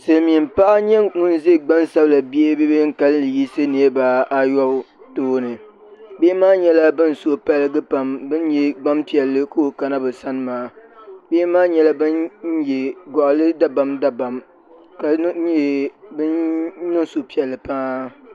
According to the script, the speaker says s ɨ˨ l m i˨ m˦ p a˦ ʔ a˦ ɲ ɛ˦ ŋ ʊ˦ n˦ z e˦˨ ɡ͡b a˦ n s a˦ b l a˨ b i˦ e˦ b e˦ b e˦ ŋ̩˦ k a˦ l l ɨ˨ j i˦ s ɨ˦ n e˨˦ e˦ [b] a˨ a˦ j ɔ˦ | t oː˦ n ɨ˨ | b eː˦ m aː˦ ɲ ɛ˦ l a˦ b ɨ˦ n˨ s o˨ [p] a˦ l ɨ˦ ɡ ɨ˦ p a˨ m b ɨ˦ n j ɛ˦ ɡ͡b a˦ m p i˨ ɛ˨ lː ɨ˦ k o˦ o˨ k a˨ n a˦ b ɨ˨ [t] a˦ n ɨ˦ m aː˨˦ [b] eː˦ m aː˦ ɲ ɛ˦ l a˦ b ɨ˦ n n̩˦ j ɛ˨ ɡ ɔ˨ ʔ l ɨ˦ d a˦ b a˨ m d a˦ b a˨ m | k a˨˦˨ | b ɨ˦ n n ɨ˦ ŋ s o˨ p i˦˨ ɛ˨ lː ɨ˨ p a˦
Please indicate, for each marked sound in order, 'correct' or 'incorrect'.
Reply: correct, correct, incorrect, correct

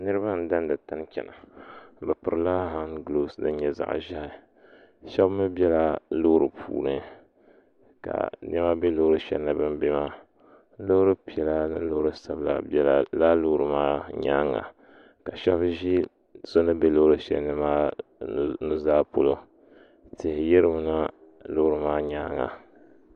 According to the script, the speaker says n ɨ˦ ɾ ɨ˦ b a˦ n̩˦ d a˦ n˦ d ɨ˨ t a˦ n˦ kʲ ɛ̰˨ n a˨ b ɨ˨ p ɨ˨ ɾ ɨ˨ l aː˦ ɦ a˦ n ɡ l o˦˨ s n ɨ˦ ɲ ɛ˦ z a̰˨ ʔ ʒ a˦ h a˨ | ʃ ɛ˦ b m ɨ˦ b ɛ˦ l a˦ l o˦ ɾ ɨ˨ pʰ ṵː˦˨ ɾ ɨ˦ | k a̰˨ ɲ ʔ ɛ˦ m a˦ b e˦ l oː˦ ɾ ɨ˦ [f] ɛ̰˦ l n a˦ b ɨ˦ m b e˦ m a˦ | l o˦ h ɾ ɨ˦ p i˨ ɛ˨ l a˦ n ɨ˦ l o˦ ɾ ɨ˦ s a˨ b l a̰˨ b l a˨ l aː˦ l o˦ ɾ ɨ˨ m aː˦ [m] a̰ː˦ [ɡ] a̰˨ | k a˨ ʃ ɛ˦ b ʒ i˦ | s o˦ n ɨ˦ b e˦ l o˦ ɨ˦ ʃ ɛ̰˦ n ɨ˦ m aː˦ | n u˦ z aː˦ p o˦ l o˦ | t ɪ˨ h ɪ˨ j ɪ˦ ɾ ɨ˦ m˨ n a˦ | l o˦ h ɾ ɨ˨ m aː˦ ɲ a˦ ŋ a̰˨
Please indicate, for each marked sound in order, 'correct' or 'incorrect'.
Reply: incorrect, incorrect, incorrect

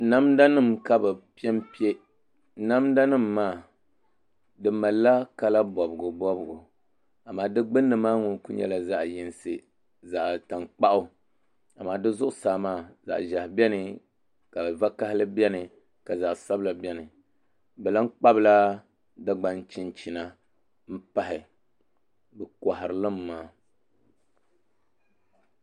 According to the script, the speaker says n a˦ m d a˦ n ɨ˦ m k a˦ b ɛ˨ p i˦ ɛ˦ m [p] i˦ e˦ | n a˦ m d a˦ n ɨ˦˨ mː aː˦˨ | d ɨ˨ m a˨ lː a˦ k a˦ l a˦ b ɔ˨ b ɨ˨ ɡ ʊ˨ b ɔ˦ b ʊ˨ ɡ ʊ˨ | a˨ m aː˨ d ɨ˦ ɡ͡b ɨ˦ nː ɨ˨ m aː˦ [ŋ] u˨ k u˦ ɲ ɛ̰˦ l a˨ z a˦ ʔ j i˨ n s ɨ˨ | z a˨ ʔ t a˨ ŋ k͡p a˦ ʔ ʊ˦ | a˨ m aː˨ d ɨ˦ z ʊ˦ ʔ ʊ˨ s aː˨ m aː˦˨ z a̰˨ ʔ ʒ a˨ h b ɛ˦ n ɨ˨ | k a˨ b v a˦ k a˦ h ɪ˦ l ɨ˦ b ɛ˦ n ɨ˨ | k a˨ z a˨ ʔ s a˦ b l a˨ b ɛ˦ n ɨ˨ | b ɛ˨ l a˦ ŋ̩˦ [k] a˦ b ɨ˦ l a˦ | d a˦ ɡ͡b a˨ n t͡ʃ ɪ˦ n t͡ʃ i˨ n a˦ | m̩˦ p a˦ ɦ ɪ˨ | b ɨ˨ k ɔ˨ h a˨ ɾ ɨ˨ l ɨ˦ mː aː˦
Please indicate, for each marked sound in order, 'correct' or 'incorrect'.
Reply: correct, correct, incorrect

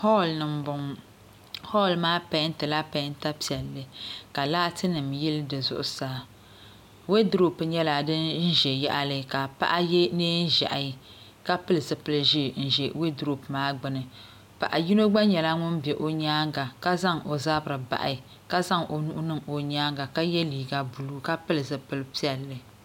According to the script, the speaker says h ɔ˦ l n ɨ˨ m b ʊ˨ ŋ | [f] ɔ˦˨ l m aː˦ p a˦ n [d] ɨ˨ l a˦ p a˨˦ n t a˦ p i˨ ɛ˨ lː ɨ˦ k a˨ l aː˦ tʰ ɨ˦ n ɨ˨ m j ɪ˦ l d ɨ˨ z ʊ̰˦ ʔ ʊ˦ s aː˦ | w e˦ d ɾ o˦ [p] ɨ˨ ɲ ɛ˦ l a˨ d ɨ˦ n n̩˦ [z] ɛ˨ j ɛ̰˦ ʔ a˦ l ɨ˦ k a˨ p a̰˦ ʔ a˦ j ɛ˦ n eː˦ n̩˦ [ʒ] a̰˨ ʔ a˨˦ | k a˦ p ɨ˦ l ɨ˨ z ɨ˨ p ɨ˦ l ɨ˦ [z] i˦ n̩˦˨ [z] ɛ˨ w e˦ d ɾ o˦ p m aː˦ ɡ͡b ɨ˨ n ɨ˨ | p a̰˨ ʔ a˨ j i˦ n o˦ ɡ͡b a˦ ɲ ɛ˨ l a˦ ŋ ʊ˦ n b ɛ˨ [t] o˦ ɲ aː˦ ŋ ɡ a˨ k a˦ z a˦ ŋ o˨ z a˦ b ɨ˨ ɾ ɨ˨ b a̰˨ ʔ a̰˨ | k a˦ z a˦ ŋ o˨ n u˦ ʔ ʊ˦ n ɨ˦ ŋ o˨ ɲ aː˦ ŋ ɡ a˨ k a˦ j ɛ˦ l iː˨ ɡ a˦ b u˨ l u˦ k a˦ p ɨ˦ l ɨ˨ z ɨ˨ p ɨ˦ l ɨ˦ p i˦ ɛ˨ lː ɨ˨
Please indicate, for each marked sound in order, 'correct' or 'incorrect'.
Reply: incorrect, incorrect, correct, incorrect, correct, incorrect, incorrect, incorrect

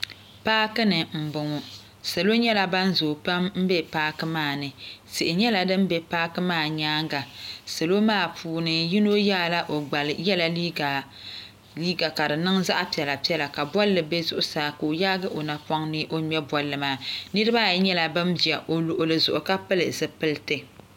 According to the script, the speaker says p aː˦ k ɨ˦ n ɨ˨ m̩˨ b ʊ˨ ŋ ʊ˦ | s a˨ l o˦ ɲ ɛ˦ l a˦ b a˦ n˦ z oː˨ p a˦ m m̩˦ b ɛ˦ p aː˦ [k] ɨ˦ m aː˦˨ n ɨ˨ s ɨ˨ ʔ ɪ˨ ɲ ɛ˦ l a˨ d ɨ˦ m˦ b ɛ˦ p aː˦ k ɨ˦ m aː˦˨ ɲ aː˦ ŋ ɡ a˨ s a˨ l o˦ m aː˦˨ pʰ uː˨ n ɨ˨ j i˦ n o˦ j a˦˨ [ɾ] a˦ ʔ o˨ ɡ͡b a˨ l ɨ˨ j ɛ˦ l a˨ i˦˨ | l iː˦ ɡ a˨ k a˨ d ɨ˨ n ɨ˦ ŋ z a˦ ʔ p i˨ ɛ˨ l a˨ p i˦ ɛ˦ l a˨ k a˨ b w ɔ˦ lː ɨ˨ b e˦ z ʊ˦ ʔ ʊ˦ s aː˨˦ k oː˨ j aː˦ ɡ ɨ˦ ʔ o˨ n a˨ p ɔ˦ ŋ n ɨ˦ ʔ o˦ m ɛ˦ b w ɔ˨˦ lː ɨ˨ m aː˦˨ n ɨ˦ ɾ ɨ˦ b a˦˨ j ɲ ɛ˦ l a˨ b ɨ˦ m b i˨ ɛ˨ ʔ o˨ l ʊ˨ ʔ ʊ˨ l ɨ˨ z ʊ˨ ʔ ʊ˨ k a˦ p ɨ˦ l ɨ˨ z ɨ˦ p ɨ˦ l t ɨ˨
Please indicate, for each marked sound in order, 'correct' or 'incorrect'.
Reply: correct, incorrect

